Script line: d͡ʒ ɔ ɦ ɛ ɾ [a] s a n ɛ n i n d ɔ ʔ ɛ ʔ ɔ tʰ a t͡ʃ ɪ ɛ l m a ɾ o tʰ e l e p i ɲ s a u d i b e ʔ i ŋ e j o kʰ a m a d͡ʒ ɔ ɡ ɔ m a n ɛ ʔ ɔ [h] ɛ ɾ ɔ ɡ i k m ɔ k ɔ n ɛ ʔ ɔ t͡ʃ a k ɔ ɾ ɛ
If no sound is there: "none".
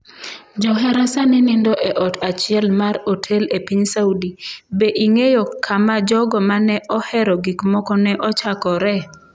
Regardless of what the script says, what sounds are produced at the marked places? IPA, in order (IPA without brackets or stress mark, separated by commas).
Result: a, h